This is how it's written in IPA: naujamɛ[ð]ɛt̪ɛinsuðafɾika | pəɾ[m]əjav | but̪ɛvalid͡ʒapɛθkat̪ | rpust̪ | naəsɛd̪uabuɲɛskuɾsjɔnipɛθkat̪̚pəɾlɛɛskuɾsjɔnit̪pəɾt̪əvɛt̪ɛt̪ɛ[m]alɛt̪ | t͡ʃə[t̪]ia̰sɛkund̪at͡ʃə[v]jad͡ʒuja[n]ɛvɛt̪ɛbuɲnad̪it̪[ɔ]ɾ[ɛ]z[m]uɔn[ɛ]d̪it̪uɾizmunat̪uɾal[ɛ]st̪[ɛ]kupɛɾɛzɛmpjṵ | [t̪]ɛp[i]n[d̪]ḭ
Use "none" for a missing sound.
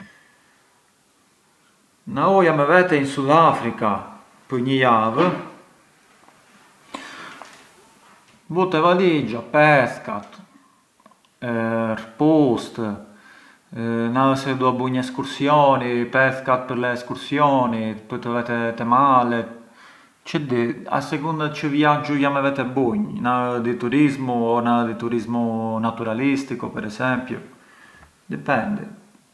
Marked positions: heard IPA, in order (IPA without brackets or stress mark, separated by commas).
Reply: v, ɲ, m, d̪, v, m, u, i, m, a, i, i, d̪, ɛ, d̪